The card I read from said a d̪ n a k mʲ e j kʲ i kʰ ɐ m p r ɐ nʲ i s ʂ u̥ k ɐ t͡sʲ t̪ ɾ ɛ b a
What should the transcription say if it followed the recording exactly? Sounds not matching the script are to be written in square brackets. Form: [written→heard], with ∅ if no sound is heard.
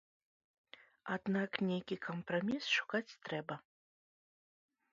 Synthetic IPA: a d̪ n a k [mʲ→nʲ] e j kʲ i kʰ ɐ m p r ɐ [nʲ→mʲ] i s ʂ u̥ k [ɐ→a] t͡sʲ t̪ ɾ ɛ b [a→ɐ]